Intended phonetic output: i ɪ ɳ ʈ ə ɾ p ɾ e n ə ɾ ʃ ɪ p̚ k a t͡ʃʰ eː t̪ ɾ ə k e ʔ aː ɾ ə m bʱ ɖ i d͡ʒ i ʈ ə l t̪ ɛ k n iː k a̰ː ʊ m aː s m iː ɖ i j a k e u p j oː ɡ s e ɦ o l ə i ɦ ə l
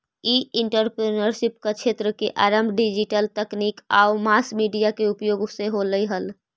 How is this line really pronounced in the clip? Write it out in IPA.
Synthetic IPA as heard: i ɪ ɳ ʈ ə ɾ p ɾ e n ə ɾ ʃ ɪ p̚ k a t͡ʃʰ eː t̪ ɾ ə k e ʔ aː ɾ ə m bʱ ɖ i d͡ʒ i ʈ ə l t̪ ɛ k n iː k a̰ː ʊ m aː s m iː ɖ i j a k e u p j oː ɡ s e ɦ o l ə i ɦ ə l